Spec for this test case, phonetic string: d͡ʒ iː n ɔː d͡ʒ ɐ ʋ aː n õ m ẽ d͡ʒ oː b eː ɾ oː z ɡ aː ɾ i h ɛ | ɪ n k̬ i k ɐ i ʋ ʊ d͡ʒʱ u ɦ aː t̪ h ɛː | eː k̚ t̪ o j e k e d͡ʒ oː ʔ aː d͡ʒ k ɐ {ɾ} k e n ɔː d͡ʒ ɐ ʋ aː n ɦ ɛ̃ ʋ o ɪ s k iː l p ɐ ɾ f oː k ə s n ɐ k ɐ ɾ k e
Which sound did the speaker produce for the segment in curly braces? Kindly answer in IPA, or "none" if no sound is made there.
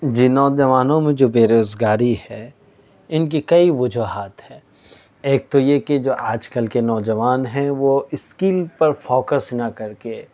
l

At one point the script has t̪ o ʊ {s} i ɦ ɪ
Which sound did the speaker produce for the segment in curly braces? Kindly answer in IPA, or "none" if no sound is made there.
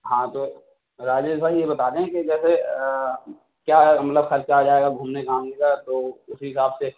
s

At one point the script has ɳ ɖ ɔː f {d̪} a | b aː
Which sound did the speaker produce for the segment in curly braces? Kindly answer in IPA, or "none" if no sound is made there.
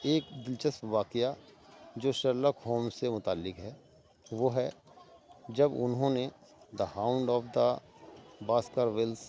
d̪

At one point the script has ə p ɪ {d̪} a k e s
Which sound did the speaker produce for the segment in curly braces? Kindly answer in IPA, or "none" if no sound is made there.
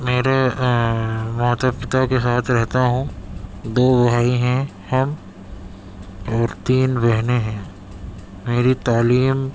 t̪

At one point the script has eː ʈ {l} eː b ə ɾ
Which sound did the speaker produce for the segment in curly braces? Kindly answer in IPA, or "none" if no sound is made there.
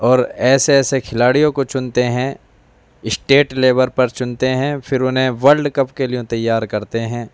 l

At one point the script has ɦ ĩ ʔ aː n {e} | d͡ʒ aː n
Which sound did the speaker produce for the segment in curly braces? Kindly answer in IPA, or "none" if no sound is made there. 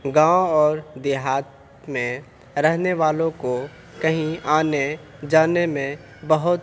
e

